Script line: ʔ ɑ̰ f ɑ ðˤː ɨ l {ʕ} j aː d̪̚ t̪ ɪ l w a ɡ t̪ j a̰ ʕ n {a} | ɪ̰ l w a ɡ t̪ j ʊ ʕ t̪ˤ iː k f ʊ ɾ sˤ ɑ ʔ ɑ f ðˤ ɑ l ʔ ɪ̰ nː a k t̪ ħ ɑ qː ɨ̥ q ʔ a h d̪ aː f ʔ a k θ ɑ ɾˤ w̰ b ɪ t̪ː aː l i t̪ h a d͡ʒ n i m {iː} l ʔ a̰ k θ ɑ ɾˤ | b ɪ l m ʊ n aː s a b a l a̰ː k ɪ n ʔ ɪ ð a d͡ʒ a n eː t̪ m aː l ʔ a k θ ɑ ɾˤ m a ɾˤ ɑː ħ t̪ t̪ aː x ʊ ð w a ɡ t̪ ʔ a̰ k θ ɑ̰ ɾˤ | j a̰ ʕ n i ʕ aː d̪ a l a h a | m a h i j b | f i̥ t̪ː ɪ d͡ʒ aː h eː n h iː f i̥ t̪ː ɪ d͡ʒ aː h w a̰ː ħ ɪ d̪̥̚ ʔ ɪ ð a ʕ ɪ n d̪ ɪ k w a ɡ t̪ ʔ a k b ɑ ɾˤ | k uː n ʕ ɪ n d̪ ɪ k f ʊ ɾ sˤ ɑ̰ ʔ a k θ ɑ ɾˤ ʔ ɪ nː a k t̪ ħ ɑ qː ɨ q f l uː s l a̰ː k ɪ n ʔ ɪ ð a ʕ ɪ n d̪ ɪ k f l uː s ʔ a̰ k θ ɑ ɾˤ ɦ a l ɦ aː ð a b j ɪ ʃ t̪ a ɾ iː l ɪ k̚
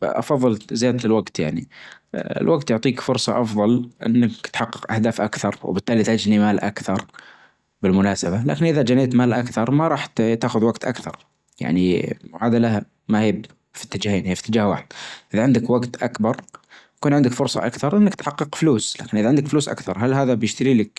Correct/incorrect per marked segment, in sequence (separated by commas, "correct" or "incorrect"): incorrect, incorrect, incorrect